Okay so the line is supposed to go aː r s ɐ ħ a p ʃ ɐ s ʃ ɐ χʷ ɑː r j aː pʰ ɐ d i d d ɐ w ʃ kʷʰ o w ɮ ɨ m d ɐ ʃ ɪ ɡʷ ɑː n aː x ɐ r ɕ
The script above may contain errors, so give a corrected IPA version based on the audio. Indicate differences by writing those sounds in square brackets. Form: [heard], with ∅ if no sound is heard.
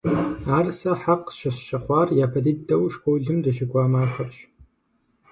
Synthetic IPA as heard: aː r s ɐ ħ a [q] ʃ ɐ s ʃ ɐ χʷ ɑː r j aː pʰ ɐ d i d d ɐ w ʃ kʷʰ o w ɮ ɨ m d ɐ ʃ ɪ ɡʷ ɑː [m] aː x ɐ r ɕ